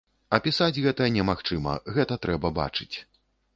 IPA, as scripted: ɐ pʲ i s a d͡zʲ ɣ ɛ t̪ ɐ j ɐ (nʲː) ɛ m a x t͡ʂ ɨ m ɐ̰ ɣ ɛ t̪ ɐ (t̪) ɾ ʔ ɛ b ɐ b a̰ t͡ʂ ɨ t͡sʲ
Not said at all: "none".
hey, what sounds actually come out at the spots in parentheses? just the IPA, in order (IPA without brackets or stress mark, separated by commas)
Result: nʲ, t̪